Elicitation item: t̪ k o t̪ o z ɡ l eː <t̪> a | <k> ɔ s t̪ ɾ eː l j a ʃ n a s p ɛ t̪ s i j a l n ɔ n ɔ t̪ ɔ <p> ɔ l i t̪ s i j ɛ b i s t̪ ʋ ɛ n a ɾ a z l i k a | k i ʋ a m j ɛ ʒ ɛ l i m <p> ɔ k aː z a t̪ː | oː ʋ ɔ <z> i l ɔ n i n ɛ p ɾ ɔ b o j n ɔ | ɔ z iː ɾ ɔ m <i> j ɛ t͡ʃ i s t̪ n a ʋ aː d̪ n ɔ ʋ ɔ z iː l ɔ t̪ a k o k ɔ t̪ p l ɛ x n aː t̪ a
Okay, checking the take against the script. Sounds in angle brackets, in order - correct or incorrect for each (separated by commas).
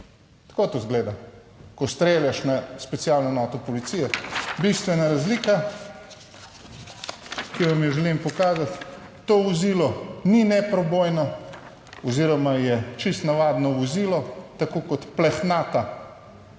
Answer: incorrect, correct, correct, correct, correct, incorrect